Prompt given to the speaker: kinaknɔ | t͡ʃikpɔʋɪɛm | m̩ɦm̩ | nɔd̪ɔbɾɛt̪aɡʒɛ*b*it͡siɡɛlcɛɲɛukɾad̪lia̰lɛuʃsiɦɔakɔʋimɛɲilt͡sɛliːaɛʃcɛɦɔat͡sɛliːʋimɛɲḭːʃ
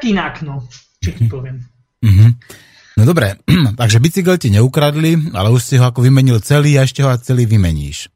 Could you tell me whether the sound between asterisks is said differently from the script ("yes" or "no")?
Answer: no